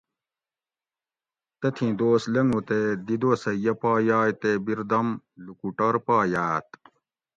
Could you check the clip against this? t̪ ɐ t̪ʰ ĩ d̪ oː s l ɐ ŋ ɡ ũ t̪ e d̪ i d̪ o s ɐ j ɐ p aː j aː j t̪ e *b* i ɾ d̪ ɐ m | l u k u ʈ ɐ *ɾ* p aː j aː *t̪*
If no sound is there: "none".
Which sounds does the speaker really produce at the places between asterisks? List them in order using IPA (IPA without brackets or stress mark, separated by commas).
b, ɾ, t̪